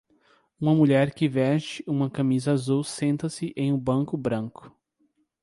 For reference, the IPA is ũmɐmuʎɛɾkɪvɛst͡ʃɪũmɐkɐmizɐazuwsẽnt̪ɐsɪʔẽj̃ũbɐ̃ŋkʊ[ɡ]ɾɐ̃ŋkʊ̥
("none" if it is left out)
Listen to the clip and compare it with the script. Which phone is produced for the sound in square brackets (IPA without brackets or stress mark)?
b